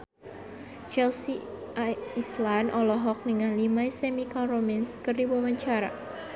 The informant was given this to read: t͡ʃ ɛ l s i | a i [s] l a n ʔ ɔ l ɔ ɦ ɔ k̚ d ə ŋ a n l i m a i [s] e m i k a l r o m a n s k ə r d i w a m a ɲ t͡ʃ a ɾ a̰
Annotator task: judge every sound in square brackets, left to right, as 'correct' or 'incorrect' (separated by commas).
correct, correct